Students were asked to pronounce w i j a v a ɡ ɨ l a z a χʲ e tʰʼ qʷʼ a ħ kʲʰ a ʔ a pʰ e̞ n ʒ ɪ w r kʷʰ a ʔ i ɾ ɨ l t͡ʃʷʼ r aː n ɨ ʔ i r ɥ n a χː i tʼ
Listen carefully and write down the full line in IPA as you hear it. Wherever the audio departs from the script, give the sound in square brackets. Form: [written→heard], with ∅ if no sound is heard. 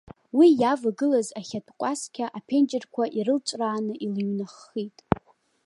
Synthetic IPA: w i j a v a ɡ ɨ l a z a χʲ [e→a] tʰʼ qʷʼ a [ħ→s] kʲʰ a ʔ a pʰ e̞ n [ʒ→d͡ʒ] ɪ [w→∅] r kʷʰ a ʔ i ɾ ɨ l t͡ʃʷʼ r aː n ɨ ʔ i [r→l] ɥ n a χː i tʼ